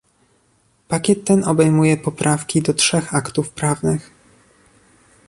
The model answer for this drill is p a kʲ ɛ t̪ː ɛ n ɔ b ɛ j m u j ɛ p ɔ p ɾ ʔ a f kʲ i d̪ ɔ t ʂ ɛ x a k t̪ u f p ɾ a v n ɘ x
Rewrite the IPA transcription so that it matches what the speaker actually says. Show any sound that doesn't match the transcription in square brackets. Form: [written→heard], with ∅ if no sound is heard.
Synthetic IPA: p a kʲ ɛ t̪ː ɛ n ɔ b ɛ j m u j ɛ p ɔ p ɾ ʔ a f kʲ i d̪ ɔ t ʂ ɛ x a k t̪ u f p ɾ a v n ɘ x